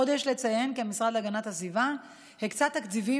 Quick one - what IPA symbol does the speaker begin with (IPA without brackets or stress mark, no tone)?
o̞